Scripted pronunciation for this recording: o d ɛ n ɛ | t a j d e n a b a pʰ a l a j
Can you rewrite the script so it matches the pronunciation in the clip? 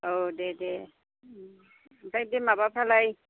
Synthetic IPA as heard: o d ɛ d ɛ | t a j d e m a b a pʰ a l a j